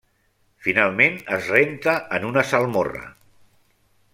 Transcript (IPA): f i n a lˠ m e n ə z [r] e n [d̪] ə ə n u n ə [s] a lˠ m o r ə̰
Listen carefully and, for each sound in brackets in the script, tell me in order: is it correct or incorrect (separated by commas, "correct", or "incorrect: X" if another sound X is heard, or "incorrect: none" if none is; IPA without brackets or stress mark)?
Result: correct, incorrect: t̪, correct